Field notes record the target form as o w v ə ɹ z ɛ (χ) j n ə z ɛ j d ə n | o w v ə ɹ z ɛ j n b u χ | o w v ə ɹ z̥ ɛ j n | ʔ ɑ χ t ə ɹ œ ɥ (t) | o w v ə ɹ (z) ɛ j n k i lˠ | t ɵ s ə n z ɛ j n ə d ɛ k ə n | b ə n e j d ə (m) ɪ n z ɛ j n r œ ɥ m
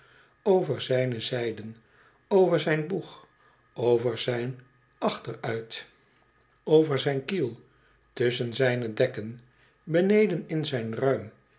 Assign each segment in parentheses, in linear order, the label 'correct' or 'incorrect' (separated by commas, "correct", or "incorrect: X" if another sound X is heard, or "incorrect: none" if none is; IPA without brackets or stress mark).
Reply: incorrect: none, correct, correct, incorrect: n